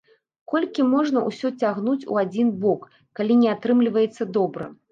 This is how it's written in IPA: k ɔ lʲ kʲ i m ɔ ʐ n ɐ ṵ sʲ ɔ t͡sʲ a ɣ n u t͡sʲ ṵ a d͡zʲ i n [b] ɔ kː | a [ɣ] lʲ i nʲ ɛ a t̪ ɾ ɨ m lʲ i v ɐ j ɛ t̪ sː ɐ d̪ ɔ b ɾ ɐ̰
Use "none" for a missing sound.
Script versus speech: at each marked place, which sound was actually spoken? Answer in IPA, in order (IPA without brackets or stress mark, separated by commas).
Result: b, none